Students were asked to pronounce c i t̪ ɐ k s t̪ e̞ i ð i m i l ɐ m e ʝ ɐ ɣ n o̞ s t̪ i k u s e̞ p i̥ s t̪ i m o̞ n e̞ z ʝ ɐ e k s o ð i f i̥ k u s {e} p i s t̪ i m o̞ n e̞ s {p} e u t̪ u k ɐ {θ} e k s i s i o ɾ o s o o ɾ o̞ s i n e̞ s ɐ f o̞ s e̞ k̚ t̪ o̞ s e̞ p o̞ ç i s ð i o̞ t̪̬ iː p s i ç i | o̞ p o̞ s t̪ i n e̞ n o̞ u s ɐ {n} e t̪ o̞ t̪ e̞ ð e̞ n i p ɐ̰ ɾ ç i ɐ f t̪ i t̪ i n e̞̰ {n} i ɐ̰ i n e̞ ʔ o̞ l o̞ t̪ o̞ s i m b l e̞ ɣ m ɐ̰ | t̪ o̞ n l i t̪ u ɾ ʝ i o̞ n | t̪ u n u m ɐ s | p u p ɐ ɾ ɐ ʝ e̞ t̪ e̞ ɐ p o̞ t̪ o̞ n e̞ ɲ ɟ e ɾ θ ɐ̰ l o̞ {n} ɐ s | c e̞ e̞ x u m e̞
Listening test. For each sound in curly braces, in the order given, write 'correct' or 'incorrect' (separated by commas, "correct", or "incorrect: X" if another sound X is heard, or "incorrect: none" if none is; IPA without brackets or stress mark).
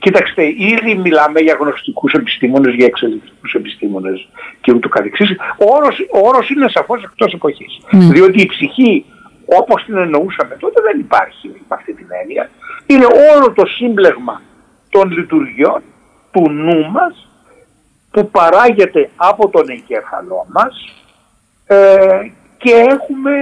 correct, incorrect: c, correct, incorrect: m, correct, incorrect: m